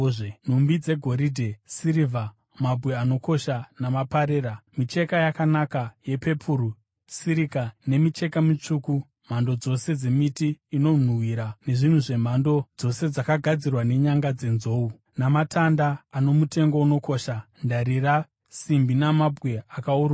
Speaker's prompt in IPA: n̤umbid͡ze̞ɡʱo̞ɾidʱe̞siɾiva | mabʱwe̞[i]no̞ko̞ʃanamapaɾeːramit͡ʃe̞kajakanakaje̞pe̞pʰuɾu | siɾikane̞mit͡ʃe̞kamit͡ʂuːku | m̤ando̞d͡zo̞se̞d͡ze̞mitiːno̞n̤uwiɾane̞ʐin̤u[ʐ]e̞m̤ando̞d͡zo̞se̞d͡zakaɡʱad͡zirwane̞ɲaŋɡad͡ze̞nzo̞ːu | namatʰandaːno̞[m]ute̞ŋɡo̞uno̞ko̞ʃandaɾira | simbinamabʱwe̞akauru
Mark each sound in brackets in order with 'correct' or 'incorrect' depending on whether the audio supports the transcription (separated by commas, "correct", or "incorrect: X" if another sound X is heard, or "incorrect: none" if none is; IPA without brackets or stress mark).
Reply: incorrect: a, correct, correct